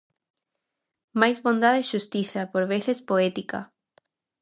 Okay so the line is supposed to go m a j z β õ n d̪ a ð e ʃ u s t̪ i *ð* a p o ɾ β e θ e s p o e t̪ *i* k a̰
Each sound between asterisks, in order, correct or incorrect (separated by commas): incorrect, correct